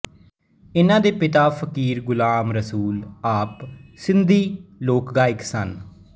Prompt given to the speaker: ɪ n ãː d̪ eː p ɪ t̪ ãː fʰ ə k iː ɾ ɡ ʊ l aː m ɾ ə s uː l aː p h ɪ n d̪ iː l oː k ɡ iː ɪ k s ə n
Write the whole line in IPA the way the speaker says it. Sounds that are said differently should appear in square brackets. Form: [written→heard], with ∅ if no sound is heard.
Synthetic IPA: ɪ n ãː d̪ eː p ɪ t̪ [ãː→aː] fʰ ə k iː ɾ ɡ ʊ l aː m ɾ ə s uː l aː p [h→s] ɪ n d̪ iː l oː k ɡ [iː→aː] ɪ k s ə n